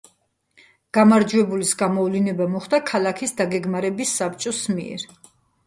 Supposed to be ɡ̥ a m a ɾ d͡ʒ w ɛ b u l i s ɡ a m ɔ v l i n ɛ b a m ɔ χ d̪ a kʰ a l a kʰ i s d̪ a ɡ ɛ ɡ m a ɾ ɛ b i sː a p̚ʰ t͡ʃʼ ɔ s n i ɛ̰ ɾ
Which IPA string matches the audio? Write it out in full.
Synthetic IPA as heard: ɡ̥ a m a ɾ d͡ʒ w ɛ b u l i s ɡ a m ɔ v l i n ɛ b a m ɔ χ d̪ a kʰ a l a kʰ i s d̪ a ɡ ɛ ɡ m a ɾ ɛ b i sː a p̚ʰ t͡ʃʼ ɔ s m i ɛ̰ ɾ